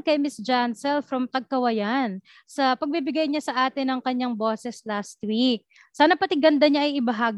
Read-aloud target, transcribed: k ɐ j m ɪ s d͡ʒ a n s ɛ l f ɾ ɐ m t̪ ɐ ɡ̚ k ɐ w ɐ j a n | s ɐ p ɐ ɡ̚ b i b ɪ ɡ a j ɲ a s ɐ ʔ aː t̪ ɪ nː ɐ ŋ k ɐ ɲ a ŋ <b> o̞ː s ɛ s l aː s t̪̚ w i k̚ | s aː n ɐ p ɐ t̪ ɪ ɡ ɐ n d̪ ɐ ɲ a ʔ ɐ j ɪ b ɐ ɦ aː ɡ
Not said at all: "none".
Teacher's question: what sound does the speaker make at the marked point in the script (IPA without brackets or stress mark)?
b